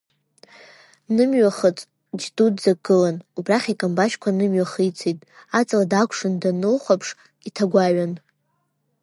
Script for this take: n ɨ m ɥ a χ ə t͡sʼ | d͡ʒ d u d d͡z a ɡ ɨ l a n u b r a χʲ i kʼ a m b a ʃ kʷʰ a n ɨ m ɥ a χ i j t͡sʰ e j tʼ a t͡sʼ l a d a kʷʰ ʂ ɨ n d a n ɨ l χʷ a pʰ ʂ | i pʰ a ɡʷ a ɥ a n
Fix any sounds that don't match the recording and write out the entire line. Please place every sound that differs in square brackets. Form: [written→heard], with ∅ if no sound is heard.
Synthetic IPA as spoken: n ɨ m ɥ a χ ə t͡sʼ | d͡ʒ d u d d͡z a ɡ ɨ l a n u b r a χʲ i kʼ a m b a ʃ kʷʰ a n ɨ m ɥ a χ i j t͡sʰ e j tʼ a t͡sʼ l a d a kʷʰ ʂ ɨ n d a n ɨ l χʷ a pʰ ʂ | i [pʰ→tʰ] a ɡʷ a ɥ a n